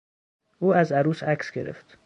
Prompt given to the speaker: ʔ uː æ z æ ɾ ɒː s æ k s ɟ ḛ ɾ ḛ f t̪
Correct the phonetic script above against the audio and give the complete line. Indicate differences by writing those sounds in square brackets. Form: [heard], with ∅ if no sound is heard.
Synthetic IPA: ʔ uː æ z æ ɾ [uː] s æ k s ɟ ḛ ɾ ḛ f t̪